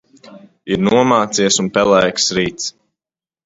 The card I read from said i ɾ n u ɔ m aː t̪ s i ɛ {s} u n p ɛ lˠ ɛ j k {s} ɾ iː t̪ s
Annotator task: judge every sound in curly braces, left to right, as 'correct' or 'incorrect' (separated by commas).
correct, correct